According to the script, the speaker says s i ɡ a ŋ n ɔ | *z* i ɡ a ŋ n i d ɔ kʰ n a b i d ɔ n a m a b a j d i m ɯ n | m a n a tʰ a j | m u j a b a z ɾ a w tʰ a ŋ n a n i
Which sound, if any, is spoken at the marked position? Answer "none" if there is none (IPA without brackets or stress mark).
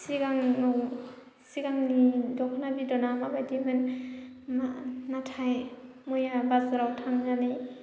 s